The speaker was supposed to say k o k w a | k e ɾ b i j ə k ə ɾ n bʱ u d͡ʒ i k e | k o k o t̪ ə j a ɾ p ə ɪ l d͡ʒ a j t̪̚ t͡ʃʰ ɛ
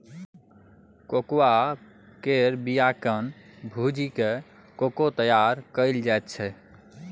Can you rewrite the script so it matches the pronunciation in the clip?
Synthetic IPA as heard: k o k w a | k e ɾ b i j a k ə n bʱ u d͡ʒ i k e | k o k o t̪ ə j a ɾ k ə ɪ l d͡ʒ a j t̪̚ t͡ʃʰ ɛ